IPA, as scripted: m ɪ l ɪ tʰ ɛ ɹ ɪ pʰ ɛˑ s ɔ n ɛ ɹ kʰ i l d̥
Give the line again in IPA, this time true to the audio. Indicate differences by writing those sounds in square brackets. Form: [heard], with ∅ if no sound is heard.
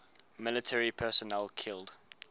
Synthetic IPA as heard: m ɪ l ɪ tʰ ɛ ɹ [i] pʰ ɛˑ s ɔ n ɛ [l] kʰ [ɪ] l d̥